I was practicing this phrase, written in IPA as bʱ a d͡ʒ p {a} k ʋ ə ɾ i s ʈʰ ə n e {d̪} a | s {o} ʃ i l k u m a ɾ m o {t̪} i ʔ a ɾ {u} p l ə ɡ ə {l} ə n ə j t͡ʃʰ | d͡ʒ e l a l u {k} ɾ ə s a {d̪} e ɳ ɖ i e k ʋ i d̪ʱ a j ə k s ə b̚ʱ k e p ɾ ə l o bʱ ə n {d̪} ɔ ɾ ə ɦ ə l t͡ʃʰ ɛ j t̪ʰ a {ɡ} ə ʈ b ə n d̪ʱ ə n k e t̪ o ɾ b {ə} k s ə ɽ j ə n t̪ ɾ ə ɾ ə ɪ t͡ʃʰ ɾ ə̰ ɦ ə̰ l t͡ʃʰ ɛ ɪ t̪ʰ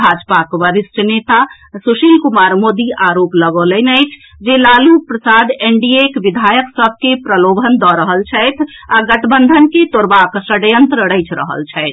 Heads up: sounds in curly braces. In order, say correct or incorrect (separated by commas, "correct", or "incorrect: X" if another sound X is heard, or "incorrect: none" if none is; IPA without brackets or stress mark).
correct, incorrect: t̪, incorrect: u, incorrect: d̪, incorrect: o, correct, incorrect: p, correct, correct, correct, incorrect: a